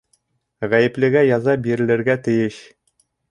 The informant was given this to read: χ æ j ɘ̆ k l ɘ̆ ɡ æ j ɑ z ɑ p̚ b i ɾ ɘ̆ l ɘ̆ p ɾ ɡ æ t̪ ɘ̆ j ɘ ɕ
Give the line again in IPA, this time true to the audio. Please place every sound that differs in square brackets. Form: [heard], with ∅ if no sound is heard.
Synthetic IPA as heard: [ʁ] æ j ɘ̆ [p] l ɘ̆ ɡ æ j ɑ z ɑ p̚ b i ɾ ɘ̆ l ɘ̆ [∅] ɾ ɡ æ t̪ ɘ̆ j ɘ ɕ